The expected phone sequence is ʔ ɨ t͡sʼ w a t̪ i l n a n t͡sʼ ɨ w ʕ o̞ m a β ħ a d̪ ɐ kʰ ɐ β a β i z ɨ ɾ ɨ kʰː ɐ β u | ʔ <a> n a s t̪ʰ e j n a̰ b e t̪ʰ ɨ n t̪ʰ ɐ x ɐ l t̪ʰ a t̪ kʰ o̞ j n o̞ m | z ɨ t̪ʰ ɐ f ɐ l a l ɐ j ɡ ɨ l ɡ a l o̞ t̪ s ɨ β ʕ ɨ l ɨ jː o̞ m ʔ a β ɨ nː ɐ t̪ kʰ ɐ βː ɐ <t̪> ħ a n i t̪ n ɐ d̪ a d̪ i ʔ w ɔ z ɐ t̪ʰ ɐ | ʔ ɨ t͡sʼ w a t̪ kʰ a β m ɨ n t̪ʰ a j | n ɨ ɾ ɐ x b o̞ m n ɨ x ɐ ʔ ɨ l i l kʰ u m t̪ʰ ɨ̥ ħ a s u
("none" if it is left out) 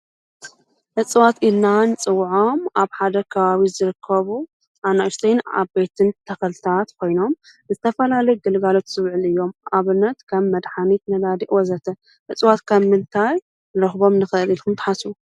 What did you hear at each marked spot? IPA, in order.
a, d̪

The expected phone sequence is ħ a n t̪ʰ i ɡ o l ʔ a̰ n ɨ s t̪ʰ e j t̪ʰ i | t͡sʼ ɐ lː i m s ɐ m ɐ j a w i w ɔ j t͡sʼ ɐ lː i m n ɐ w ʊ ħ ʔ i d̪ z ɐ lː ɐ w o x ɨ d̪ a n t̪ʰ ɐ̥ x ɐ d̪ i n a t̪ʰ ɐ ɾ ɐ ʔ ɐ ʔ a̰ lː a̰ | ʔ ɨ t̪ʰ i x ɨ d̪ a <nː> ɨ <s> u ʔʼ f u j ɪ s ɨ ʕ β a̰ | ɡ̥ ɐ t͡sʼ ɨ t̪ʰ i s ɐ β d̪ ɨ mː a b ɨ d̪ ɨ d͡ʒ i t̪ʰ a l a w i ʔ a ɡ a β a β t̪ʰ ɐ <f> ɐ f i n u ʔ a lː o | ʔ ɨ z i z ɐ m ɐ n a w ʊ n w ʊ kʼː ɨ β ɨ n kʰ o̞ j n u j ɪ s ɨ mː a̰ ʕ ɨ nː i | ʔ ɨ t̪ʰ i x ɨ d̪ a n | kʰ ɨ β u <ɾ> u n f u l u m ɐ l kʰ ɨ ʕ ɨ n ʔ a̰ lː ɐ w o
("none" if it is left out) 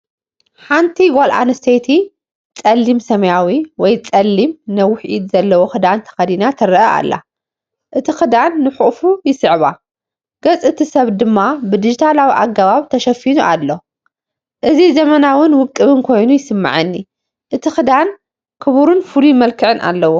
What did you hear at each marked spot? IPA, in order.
nː, ħ, ʃ, ɾ

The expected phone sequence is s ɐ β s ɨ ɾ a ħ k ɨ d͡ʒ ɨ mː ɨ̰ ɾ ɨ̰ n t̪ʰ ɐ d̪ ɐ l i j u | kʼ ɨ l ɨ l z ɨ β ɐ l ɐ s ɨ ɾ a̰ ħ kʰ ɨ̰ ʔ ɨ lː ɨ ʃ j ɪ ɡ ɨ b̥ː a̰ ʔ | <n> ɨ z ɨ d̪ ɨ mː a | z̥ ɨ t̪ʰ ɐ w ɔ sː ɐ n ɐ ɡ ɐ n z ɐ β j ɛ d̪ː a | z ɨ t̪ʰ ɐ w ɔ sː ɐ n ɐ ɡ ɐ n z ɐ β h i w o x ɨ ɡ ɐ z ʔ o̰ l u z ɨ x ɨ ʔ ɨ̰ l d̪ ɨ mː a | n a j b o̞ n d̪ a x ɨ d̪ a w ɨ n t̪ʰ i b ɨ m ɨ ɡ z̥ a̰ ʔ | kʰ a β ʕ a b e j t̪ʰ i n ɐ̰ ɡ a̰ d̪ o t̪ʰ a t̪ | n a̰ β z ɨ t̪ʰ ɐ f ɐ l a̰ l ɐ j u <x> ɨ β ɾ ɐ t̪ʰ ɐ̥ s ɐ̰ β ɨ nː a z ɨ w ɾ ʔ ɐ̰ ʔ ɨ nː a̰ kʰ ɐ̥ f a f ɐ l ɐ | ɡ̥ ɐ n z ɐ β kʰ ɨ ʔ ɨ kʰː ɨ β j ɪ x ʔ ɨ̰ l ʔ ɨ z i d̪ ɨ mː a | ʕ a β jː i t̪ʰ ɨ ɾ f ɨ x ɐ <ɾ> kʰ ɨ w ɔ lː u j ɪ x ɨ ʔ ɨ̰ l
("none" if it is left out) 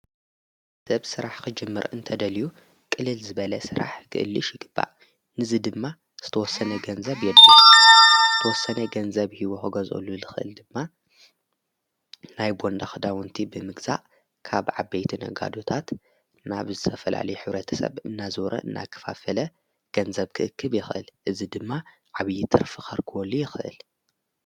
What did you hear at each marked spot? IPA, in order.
n, ħ, ɾ

